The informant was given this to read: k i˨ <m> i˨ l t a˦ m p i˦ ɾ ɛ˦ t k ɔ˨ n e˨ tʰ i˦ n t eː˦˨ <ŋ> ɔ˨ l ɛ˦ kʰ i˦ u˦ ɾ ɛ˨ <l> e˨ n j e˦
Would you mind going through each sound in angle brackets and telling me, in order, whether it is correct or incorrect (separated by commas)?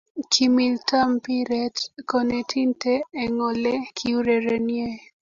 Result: correct, correct, incorrect